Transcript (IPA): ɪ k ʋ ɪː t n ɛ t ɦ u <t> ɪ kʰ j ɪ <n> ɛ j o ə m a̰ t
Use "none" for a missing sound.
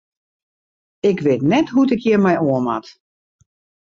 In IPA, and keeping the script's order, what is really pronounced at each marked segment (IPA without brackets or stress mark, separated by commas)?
t, m